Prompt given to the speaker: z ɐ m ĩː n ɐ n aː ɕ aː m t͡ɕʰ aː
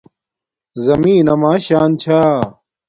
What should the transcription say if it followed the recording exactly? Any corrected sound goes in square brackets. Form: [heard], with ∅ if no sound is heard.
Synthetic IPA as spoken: z ɐ m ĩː n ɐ [m] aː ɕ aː [n] t͡ɕʰ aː